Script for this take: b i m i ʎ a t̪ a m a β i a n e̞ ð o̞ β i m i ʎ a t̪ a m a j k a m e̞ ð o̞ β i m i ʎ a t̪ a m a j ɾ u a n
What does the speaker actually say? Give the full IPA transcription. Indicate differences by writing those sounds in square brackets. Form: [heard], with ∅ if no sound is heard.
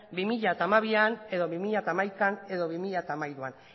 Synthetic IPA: b i m i ʎ a t̪ a m a β i a n e̞ ð o̞ β i m i ʎ a t̪ a m a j k a [n] e̞ ð o̞ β i m i ʎ a t̪ a m a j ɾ u a n